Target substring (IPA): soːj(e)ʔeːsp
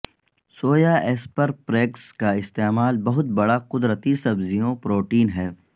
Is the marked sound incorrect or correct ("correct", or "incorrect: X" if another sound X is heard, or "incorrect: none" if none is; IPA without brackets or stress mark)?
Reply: incorrect: a